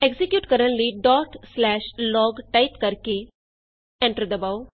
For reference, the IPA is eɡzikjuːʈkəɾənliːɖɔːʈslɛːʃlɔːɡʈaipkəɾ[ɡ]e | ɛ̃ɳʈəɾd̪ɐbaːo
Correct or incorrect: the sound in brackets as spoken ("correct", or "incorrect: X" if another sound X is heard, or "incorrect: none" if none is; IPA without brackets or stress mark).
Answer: incorrect: k